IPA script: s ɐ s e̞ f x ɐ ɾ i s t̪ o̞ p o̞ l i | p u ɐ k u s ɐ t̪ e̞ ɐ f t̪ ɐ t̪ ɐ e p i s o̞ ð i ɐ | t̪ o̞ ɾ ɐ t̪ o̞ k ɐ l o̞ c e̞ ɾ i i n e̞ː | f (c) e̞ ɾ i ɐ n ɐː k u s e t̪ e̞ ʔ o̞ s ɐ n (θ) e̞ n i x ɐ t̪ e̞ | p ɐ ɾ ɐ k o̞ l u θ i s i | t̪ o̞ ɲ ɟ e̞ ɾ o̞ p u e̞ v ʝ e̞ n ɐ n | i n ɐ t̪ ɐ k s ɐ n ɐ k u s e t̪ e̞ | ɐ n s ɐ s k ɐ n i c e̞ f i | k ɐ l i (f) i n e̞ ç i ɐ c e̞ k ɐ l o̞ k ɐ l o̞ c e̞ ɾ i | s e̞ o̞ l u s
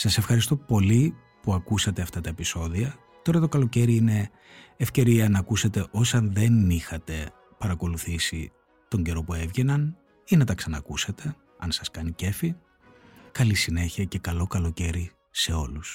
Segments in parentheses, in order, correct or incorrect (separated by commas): correct, incorrect, incorrect